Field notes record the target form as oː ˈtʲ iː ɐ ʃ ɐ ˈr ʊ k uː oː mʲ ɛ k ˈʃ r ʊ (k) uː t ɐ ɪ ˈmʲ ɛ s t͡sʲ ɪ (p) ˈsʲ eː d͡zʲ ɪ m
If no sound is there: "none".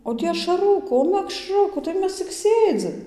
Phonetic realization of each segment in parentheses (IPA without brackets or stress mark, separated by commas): k, k